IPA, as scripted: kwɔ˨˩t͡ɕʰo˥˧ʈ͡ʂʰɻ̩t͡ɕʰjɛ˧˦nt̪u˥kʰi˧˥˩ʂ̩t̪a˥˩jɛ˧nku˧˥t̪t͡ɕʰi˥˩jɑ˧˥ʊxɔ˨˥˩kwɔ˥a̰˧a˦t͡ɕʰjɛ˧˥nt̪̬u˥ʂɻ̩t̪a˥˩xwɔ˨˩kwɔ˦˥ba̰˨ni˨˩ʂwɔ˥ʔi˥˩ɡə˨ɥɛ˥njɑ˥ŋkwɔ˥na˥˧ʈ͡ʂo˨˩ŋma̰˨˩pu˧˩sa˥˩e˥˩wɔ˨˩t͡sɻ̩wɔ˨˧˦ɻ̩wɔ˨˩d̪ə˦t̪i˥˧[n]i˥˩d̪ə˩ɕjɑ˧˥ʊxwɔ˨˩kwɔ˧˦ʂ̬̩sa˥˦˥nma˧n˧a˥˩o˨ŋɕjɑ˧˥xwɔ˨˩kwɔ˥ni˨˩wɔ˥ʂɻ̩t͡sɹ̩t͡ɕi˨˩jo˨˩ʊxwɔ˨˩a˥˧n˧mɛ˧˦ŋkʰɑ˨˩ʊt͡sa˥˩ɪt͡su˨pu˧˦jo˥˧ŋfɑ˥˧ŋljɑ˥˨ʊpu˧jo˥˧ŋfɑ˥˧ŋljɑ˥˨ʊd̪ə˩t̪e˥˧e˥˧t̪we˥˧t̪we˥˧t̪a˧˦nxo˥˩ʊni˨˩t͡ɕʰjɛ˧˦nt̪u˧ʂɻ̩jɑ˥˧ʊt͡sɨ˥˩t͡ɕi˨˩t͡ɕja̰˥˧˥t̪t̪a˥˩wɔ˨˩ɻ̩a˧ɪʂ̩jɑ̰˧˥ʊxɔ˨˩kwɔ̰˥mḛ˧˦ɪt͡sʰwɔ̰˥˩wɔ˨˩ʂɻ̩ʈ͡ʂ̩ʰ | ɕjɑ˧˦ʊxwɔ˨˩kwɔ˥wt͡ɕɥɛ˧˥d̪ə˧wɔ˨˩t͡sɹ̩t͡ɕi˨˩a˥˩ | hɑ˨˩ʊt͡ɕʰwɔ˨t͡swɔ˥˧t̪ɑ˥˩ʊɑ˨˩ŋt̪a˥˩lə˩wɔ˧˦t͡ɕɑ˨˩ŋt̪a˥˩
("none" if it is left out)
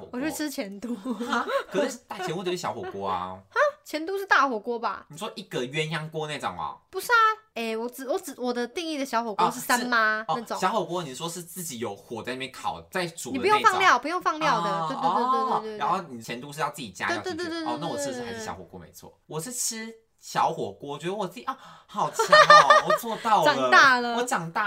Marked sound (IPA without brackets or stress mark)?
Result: ŋ